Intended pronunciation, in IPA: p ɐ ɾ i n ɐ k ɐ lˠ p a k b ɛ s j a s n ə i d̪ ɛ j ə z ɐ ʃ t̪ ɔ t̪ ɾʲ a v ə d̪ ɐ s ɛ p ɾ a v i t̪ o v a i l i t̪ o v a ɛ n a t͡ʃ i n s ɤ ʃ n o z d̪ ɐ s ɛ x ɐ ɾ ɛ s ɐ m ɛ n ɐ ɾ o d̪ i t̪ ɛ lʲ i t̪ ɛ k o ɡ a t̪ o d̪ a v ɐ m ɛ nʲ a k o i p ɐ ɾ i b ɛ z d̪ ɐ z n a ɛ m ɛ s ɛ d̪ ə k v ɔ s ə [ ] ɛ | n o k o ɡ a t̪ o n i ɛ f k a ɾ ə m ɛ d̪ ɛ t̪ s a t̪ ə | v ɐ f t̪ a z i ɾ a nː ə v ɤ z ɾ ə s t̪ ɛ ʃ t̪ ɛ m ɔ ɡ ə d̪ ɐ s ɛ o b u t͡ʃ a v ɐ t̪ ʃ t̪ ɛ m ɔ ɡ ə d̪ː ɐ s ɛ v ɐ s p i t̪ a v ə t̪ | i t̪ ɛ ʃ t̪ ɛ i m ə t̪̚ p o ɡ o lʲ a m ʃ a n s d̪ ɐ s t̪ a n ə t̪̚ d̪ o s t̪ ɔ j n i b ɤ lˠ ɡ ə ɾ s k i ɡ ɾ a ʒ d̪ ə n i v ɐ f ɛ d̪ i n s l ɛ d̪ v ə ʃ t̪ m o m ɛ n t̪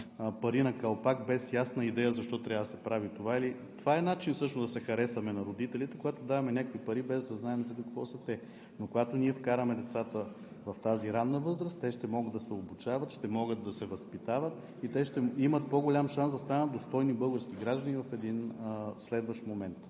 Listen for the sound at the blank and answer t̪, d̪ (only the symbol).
t̪